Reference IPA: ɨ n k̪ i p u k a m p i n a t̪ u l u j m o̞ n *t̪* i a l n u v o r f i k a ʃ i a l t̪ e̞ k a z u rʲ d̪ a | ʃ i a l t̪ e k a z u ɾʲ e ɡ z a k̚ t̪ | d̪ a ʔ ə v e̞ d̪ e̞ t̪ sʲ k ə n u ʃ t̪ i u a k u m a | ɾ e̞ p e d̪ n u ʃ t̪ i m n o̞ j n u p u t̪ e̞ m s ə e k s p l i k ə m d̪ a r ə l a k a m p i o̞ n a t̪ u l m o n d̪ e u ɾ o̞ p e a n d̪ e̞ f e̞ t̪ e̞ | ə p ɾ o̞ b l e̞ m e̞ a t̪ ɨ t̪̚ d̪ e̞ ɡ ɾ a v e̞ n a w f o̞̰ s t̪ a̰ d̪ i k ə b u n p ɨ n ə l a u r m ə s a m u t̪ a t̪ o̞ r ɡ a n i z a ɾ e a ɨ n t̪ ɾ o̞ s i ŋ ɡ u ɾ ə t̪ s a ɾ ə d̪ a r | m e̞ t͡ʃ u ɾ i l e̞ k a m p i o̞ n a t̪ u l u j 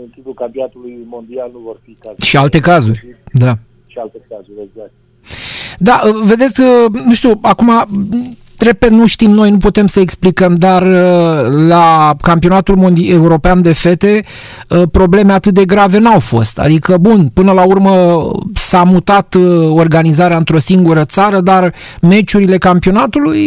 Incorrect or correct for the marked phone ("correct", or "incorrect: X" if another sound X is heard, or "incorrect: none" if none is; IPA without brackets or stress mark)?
incorrect: d̪